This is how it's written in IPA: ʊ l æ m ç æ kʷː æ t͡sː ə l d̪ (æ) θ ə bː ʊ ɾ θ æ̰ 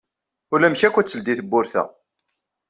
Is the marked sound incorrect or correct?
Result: incorrect